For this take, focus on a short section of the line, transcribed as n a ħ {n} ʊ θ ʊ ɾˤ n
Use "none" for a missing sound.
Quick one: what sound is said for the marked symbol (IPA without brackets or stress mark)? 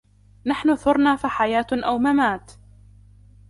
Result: n